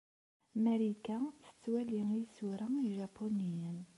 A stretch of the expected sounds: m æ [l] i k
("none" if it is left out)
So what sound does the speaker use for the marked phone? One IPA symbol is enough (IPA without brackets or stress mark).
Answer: ɾ